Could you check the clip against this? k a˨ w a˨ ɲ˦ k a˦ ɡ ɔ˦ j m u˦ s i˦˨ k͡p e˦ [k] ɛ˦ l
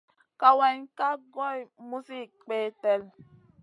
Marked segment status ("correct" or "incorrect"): incorrect